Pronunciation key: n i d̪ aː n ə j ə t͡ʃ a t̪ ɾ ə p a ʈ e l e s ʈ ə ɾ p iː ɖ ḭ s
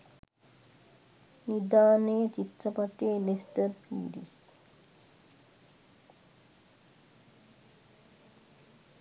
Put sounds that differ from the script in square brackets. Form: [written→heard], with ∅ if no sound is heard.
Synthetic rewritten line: n i d̪ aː n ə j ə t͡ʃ [a→i] t̪ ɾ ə p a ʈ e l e s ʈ ə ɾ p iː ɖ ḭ s

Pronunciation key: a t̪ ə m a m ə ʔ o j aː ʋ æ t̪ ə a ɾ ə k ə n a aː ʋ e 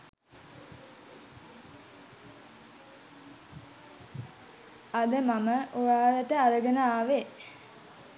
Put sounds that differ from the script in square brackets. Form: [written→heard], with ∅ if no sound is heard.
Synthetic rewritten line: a [t̪→d̪] ə m a m ə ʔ o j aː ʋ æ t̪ ə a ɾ ə [k→ɡ] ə n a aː ʋ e

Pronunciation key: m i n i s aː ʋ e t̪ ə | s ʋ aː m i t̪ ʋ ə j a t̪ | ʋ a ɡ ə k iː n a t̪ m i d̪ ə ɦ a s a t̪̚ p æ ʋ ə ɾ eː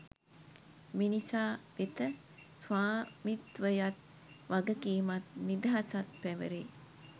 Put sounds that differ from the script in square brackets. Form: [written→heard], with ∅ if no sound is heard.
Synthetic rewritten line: m i n i s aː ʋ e t̪ ə | s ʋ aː m i t̪ ʋ ə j a t̪ | ʋ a ɡ ə k iː [n→m] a t̪ [m→n] i d̪ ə ɦ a s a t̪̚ p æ ʋ ə ɾ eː

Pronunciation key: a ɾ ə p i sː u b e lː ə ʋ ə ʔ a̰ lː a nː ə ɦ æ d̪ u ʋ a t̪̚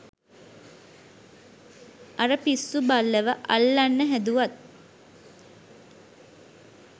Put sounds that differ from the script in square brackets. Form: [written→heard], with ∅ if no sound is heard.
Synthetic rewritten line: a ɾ ə p i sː u b [e→a] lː ə ʋ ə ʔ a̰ lː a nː ə ɦ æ d̪ u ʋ a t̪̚

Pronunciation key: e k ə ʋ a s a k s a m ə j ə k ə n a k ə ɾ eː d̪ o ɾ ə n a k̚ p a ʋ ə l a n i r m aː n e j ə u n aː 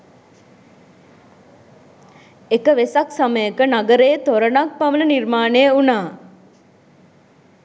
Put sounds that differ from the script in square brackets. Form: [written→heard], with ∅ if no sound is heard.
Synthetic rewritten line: e k ə ʋ [a→e] s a k s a m ə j ə k ə n a [k→ɡ] ə ɾ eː [d̪→t̪] o ɾ ə n a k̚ p a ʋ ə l [a→ə] n i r m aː n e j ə u n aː

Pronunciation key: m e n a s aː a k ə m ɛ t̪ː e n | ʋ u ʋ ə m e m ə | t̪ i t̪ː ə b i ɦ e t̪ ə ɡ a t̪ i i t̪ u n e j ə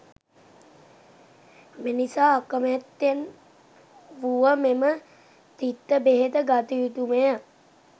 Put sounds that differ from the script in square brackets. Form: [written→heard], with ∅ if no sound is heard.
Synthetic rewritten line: m e n [a→i] s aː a k ə m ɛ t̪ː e n | ʋ u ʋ ə m e m ə | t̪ i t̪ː ə b [i→e] ɦ e t̪ ə ɡ a t̪ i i t̪ u [n→m] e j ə

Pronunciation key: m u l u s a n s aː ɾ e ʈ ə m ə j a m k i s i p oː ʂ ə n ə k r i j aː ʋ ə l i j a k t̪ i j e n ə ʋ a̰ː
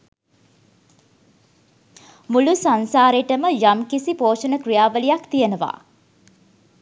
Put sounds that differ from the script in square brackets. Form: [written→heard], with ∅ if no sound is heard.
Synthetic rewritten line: m u l u s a n s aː ɾ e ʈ ə m ə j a m k i s i p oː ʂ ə n ə k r i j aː ʋ ə l i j a k t̪ i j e n ə ʋ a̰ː

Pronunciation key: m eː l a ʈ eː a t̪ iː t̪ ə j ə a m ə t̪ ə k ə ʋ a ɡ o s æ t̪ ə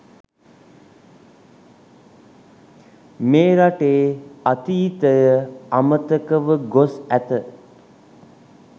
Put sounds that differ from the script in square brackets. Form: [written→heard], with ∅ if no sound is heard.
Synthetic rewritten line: m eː [l→ɾ] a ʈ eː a t̪ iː t̪ ə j ə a m ə t̪ ə k ə ʋ [a→ə] ɡ o s æ t̪ ə

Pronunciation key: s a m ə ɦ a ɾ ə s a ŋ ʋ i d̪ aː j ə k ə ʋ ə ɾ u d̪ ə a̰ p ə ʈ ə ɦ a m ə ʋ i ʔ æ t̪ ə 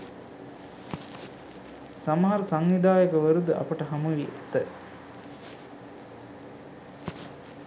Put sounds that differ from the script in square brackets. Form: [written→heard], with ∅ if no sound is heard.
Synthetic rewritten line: s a m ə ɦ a ɾ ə s a ŋ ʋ i d̪ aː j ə k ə ʋ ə ɾ u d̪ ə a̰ p ə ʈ ə ɦ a m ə ʋ i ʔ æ t̪ ə

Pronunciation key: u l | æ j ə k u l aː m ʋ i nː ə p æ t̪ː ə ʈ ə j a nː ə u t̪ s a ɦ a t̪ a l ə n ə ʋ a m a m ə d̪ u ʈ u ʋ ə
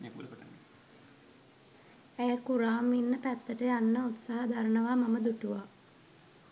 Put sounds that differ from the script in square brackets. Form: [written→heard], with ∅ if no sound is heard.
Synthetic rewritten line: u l | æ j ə k u [l→ɾ] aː m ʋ i nː ə p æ t̪ː ə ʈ ə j a nː ə u t̪ s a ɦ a [t̪→d̪] a [l→ɾ] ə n ə ʋ a m a m ə d̪ u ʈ u ʋ [ə→a]

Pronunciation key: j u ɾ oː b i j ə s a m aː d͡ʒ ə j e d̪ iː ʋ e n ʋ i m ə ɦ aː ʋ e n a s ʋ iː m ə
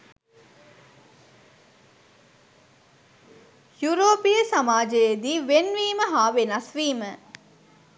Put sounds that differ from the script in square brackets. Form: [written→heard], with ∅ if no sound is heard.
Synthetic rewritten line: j u ɾ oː [b→p] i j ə s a m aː d͡ʒ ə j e d̪ iː ʋ e n ʋ [i→iː] m ə ɦ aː ʋ e n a s ʋ iː m ə

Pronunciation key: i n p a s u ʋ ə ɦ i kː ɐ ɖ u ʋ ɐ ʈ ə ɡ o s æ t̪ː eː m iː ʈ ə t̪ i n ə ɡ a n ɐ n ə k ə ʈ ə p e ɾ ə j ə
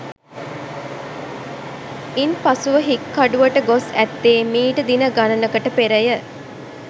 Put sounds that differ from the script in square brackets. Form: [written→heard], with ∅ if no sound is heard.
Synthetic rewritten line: i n p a s u ʋ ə ɦ i kː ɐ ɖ u ʋ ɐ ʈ ə ɡ o s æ t̪ː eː m iː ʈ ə [t̪→d̪] i n ə ɡ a n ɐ n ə k ə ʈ ə p e ɾ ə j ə

